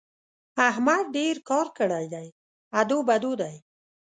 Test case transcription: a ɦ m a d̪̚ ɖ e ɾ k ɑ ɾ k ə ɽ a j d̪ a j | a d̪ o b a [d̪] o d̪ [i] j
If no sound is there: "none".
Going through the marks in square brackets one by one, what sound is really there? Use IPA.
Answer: d̪, a

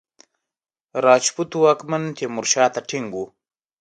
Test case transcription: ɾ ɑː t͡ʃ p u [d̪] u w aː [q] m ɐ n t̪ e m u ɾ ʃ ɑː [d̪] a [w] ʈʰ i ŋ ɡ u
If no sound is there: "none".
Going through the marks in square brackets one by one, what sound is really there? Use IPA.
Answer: t̪, k, t̪, none

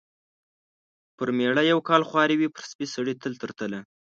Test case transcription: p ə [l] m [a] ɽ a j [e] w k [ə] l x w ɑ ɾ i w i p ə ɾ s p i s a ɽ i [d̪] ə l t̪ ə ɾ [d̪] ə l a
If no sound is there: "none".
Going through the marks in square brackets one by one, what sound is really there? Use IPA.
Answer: ɾ, e, a, ɑ, t̪, t̪

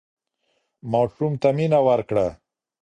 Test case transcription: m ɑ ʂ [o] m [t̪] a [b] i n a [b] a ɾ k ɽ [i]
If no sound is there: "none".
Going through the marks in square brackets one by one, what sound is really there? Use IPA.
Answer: u, t̪, m, w, a

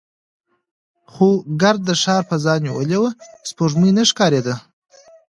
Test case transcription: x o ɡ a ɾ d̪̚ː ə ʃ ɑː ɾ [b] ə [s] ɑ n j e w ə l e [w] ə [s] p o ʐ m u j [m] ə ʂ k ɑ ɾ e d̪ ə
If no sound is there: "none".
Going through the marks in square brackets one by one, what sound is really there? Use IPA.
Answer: p, z, w, s, n

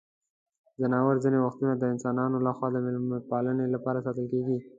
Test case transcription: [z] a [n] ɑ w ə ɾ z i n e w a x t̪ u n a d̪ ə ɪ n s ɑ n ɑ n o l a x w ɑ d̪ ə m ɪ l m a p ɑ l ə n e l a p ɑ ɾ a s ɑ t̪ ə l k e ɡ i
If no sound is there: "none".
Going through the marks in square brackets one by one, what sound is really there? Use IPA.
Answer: z, n

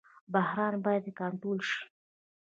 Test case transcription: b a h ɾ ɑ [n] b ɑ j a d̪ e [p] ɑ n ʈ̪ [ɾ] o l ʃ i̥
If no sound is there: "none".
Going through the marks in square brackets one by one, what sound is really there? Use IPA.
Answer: n, k, ɾ

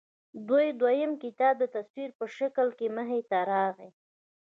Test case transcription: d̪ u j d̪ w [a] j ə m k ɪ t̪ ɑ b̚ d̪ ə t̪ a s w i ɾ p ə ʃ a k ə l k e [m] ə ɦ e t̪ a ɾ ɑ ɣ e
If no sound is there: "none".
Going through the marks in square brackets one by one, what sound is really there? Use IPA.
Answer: a, m

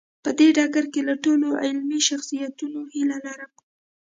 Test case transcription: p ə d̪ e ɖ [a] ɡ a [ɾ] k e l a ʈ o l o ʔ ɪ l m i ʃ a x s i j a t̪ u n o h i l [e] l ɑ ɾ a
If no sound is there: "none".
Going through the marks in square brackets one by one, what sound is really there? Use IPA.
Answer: ɑ, ɾ, a

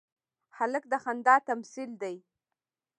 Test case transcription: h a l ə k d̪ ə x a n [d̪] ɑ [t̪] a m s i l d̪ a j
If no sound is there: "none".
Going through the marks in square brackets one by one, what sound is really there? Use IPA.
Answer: d̪, t̪

